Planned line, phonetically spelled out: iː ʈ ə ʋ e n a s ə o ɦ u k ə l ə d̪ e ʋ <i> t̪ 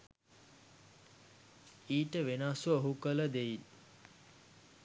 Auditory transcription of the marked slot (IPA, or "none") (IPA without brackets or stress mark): i